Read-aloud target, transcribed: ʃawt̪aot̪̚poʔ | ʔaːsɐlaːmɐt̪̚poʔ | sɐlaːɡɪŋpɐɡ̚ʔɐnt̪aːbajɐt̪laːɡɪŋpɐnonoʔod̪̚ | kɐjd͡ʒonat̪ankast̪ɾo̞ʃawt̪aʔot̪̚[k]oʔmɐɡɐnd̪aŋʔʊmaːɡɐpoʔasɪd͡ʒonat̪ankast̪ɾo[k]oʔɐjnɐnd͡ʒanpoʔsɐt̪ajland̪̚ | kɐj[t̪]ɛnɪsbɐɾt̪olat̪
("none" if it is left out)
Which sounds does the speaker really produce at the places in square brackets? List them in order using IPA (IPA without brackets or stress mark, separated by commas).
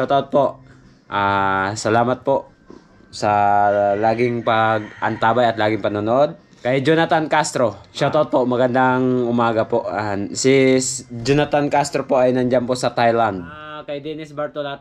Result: p, p, d̪